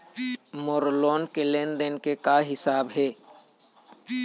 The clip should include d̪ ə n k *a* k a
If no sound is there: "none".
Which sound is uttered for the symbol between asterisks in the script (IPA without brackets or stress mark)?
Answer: e